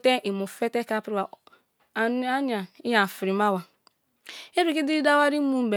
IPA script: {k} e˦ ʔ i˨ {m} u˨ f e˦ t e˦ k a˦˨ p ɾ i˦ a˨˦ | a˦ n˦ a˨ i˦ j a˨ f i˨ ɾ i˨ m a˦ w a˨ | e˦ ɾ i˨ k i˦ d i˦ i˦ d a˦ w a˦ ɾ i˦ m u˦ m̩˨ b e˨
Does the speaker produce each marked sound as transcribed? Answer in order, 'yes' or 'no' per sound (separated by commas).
no, yes